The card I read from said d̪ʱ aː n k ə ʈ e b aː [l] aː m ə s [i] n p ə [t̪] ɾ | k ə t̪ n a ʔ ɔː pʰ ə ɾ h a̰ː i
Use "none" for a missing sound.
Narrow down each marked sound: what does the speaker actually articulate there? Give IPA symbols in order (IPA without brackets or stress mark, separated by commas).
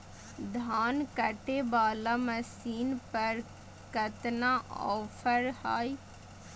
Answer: l, iː, none